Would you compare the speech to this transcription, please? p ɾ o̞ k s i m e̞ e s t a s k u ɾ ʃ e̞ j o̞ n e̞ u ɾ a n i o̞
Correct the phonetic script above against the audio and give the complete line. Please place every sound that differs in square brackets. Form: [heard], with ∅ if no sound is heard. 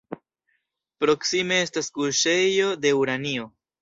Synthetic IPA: p ɾ o̞ k s i m e̞ e s t a s k u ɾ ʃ e̞ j o̞ [d] e̞ u ɾ a n i o̞

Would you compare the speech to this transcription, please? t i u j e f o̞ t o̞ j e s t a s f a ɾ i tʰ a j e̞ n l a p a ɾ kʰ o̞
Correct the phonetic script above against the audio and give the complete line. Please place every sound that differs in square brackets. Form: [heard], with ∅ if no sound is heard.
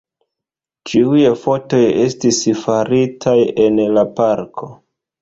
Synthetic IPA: [t͡ʃ] i u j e f o̞ t o̞ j e s t [i] s f a ɾ i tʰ a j e̞ n l a p a ɾ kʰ o̞

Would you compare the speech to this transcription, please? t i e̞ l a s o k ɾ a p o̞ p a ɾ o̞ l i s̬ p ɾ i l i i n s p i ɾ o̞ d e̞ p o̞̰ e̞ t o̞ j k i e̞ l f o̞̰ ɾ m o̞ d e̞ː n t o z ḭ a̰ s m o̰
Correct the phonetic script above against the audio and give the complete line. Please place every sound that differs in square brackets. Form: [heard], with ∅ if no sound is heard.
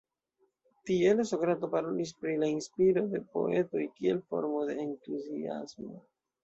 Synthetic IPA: t i e̞ l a s o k ɾ a [t] o̞ p a ɾ o̞ l i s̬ p ɾ i l [a] i n s p i ɾ o̞ d e̞ p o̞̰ e̞ t o̞ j k i e̞ l f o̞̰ ɾ m o̞ d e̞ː n t [u] z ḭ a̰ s m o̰

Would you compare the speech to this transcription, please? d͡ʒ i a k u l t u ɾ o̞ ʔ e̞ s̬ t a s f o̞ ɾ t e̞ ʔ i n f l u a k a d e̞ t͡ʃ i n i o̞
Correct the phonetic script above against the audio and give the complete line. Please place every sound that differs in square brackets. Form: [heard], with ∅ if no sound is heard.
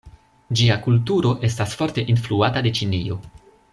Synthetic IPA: d͡ʒ i a k u l t u ɾ o̞ ʔ e̞ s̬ t a s f o̞ ɾ t e̞ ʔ i n f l u a [t] a d e̞ t͡ʃ i n i o̞

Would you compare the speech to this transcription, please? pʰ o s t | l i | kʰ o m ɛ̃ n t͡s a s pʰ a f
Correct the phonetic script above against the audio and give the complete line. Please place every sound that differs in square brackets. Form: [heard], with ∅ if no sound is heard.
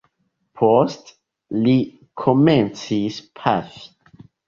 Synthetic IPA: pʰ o s t | l i | kʰ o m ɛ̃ n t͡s [i] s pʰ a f

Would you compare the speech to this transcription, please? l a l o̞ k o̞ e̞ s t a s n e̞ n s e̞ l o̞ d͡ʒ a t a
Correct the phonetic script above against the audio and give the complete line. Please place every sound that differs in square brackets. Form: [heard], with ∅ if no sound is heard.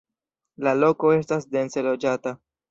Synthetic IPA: l a l o̞ k o̞ e̞ s t a s [d] e̞ n s e̞ l o̞ d͡ʒ a t a

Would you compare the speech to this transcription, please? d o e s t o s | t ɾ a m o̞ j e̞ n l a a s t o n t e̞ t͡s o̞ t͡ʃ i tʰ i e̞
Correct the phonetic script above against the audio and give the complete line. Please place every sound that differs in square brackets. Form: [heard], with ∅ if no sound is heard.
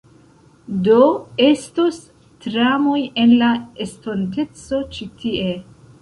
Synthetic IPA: d o e s t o s | t ɾ a m o̞ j e̞ n l a [e] s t o n t e̞ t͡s o̞ t͡ʃ i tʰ i e̞

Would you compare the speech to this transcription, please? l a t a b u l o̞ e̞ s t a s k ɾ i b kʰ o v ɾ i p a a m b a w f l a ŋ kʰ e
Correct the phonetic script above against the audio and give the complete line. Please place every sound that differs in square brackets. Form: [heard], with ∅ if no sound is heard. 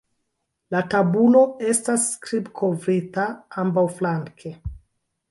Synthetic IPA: l a t a b u l o̞ e̞ s t a s k ɾ i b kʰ o v ɾ i [t] a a m b a w f l a ŋ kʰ e

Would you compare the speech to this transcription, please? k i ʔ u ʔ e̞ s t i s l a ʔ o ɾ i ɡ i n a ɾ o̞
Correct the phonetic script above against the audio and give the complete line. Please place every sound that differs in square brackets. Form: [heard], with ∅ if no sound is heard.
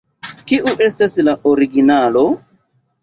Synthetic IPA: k i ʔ u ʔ e̞ s t [a] s l a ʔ o ɾ i ɡ i n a [l] o̞

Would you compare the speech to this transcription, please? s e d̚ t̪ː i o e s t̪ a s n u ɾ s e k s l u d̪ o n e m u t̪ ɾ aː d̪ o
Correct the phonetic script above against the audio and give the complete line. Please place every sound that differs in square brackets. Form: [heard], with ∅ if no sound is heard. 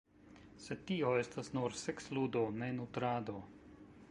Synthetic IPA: s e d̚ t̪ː i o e s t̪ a s n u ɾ s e k s l u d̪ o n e [n] u t̪ ɾ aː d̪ o

